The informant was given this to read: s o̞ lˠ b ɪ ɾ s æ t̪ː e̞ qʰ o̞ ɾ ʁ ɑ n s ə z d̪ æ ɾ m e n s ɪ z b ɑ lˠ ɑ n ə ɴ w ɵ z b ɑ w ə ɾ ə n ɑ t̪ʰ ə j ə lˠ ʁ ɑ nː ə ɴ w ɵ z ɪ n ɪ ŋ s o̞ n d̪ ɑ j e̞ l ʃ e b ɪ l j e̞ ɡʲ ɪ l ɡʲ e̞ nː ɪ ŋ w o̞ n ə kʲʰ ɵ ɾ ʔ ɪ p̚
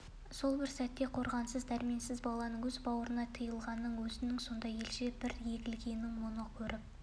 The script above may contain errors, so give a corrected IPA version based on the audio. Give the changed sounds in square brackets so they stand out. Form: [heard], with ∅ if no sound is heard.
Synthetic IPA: s o̞ lˠ b ɪ ɾ s æ t̪ː e̞ qʰ o̞ ɾ ʁ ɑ n s ə z d̪ æ ɾ m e n s ɪ z b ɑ lˠ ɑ n ə ɴ w ɵ z b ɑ w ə ɾ ə n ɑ t̪ʰ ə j ə lˠ ʁ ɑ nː ə ɴ w ɵ z ɪ n ɪ ŋ s o̞ n d̪ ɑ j e̞ l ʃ e b ɪ [ɾ] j e̞ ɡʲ ɪ l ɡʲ e̞ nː ɪ ŋ w o̞ n ə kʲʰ ɵ ɾ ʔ ɪ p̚